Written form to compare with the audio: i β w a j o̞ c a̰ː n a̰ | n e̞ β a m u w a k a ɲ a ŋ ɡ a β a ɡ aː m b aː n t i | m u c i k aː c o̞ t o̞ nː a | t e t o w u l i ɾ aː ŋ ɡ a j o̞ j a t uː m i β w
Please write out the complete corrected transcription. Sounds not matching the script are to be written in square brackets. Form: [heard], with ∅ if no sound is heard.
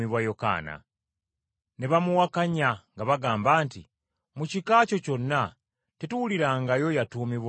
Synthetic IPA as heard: i β w a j o̞ [k] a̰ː n a̰ | n e̞ β a m u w a k a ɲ a ŋ ɡ a β a ɡ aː m b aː n t i | m u c i k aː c o̞ [c] o̞ nː a | t e t [u] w u l i ɾ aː ŋ ɡ a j o̞ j a t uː m i β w

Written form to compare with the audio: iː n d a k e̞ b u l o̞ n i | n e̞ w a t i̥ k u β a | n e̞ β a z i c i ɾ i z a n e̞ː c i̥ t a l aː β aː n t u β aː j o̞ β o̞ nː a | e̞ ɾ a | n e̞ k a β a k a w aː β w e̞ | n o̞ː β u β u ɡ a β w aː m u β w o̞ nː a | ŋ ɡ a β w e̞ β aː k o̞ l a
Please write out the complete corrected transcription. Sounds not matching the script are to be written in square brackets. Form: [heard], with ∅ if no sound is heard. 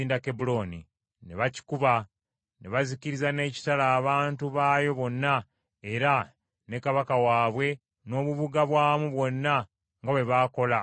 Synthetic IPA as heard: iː n d a k e̞ b u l o̞ n i | n e̞ [β] a [c] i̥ k u β a | n e̞ β a z i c i ɾ i z a n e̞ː c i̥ t a l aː β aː n t u β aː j o̞ β o̞ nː a | e̞ ɾ a | n e̞ k a β a k a w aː β w e̞ | n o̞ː β u β u ɡ a β w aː m u β w o̞ nː a | ŋ ɡ a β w e̞ β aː k o̞ l a

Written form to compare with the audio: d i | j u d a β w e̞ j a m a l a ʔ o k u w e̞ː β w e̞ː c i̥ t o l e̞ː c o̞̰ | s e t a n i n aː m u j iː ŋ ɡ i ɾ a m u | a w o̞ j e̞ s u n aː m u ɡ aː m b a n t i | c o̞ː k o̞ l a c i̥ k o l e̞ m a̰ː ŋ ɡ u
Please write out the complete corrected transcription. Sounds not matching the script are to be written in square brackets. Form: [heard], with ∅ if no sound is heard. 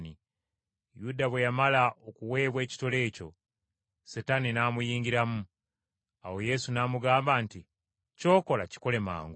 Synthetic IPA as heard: [n] i | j u d a β w e̞ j a m a l a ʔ o k u w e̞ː β w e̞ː c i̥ t o l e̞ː c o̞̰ | s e t a n i n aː m u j iː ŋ ɡ i ɾ a m u | a w o̞ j e̞ s u n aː m u ɡ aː m b a n t i | c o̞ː k o̞ l a c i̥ k o l e̞ m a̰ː ŋ ɡ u

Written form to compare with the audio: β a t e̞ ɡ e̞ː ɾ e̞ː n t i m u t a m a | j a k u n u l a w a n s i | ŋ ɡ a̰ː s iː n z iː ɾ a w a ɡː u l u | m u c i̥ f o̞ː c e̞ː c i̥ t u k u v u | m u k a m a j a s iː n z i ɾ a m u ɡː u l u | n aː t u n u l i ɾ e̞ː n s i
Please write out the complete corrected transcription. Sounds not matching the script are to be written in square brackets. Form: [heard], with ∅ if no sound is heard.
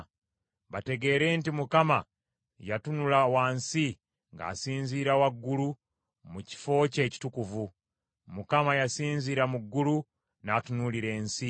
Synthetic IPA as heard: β a t e̞ ɡ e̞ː ɾ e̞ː n t i m u [k] a m a | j a [t] u n u l a w a n s i | ŋ ɡ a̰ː s iː n z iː ɾ a w a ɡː u l u | m u c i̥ f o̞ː c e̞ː c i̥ t u k u v u | m u k a m a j a s iː n z i ɾ a m u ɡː u l u | n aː t u n u l i ɾ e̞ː n s i

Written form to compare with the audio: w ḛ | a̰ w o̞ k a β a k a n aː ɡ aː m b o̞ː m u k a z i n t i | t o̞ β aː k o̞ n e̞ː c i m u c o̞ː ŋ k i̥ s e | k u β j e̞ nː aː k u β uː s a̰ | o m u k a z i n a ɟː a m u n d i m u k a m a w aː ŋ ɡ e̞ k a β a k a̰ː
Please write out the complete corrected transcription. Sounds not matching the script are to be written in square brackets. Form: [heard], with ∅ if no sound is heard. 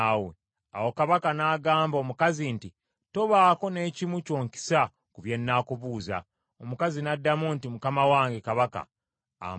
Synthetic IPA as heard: w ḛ | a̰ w o̞ k a β a k a n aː ɡ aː m b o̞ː m u k a z i n t i | t o̞ β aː k o̞ n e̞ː c i m u c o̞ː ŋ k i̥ s [a] | k u β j e̞ nː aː k u β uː [z] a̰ | o m u k a z i n a [dː] a m u n [t] i m u k a m a w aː ŋ ɡ e̞ k a β a k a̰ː

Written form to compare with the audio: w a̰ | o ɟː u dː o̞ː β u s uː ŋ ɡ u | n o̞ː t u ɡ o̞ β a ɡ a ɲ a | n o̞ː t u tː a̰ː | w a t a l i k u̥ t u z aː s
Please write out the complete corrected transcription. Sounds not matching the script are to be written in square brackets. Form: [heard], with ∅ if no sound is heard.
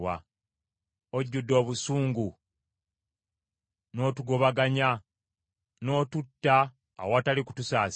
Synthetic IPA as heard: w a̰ | o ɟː u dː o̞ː β u s uː ŋ ɡ u | n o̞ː t u ɡ o̞ β a ɡ a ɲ a | n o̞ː t u tː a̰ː | w a t a l i k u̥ t u [s] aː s

